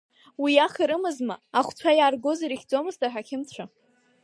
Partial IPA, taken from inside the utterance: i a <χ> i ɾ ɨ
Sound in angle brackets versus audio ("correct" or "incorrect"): correct